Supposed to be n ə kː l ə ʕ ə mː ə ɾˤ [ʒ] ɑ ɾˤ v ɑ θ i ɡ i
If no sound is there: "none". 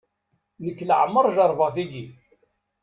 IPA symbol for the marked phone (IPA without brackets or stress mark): ʒ